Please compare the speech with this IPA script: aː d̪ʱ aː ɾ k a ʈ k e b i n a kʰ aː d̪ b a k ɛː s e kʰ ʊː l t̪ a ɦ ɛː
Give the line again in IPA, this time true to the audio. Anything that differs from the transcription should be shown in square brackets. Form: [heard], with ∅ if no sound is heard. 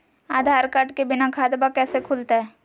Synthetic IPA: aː d̪ʱ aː ɾ k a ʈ k e b [ɪ] n a kʰ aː d̪ b a k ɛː s e kʰ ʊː l t̪ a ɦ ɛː